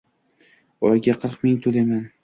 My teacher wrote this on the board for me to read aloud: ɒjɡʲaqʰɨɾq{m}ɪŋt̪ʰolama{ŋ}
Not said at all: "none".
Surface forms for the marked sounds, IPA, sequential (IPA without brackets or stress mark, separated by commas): m, n